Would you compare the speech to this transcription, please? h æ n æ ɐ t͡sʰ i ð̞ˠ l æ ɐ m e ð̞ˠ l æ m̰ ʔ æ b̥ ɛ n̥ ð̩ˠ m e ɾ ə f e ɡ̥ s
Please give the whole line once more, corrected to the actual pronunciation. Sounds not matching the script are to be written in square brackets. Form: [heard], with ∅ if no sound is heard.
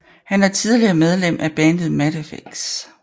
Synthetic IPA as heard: h æ n æ ɐ t͡sʰ i ð̞ˠ l [i] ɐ m e ð̞ˠ l [e] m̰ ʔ æ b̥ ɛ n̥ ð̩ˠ m [æ] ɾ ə f e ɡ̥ s